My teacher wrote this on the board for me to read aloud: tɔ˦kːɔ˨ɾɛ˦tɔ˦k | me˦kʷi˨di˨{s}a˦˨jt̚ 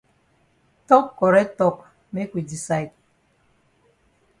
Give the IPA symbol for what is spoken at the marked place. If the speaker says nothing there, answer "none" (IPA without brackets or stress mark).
s